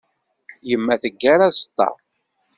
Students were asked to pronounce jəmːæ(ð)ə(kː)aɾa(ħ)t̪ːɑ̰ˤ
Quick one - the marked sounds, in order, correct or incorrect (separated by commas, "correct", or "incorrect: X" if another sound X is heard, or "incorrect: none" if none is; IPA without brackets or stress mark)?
incorrect: θ, incorrect: ɡː, incorrect: s